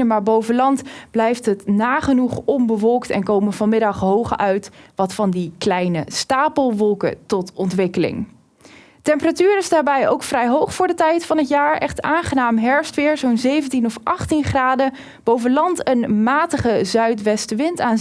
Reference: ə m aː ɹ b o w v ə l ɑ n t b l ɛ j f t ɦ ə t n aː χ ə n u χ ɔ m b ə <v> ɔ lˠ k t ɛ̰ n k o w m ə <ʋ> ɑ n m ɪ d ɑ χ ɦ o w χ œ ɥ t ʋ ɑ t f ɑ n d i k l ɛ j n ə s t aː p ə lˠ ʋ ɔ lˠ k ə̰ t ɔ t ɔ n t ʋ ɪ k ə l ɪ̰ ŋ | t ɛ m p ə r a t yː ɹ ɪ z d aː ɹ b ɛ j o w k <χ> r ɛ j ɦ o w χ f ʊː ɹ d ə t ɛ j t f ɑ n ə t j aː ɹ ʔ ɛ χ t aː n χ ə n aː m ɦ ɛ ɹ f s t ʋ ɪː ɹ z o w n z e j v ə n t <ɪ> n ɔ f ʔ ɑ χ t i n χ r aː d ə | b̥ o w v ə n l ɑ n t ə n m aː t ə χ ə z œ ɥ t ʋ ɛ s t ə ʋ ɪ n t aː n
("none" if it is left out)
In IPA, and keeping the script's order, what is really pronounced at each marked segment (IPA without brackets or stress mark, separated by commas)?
ʋ, v, f, i